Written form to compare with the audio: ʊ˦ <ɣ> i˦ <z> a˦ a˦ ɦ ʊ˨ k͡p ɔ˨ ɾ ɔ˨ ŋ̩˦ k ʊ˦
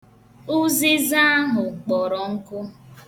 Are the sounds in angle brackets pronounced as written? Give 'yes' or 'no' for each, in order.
no, yes

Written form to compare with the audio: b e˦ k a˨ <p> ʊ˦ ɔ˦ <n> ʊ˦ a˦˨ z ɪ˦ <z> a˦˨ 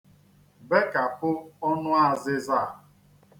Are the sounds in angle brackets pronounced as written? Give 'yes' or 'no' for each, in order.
yes, yes, yes

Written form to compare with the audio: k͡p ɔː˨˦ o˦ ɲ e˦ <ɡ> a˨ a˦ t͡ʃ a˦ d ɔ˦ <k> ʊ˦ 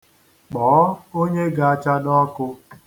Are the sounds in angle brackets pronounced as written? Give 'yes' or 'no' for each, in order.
yes, yes

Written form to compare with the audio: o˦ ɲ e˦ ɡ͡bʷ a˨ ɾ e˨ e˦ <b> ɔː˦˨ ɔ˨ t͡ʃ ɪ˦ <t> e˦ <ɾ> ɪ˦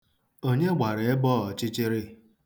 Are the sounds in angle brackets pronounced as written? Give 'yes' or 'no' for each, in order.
yes, no, yes

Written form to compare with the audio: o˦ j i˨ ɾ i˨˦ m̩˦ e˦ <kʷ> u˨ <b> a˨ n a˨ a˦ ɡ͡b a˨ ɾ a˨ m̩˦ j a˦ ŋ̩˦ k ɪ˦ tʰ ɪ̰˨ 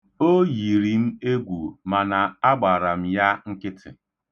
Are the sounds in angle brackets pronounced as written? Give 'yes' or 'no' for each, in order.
no, no

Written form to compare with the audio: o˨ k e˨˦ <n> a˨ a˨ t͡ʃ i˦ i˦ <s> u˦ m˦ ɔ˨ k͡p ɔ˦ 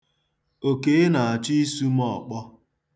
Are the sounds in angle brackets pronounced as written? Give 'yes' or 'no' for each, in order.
yes, yes

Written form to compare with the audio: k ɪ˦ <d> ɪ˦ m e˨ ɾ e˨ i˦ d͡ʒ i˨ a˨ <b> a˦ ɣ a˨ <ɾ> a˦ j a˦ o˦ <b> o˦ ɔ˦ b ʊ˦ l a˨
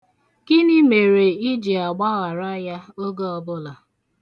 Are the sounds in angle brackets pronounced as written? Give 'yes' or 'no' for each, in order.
no, no, yes, no

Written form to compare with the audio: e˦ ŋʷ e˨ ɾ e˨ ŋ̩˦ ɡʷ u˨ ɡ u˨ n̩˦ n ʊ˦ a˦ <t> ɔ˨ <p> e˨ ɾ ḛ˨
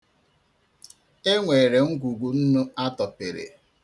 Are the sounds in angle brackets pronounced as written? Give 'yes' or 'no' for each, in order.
yes, yes

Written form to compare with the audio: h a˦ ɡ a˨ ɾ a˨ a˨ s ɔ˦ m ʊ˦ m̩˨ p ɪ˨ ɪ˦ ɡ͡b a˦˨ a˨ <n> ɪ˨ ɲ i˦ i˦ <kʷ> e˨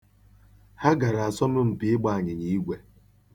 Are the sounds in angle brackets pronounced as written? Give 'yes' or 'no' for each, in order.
no, no

